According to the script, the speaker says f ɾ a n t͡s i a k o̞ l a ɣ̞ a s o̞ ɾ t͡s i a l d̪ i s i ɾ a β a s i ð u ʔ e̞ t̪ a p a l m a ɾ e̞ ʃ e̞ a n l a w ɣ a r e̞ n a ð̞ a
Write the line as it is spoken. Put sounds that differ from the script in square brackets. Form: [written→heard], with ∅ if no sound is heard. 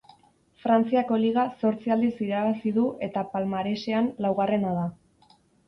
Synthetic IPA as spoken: f ɾ a n t͡s i a k o̞ l [a→i] ɣ̞ a s o̞ ɾ t͡s i a l d̪ i s i ɾ a β a s i ð u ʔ e̞ t̪ a p a l m a ɾ e̞ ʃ e̞ a n l a w ɣ a r e̞ n a ð̞ a